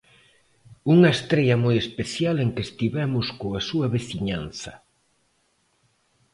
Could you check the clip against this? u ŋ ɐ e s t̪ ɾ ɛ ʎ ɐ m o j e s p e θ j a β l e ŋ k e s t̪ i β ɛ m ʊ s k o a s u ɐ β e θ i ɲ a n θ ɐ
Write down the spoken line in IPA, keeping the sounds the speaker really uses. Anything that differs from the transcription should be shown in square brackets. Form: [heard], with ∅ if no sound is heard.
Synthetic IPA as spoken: u ŋ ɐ e s t̪ ɾ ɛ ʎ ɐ m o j e s p e θ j a [∅] l e ŋ k e s t̪ i β ɛ m ʊ s k o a s u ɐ β e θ i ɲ a n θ ɐ